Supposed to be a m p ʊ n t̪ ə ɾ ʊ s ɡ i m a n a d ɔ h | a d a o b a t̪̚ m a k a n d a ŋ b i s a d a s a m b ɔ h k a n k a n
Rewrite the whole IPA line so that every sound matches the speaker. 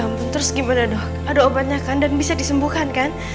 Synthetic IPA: a m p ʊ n t̪ ə ɾ ʊ s ɡ i m a n a d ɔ h | a d a o b a t̪̚ ɲ a k a n d a n b i s a d i s ə m b u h k a n k a n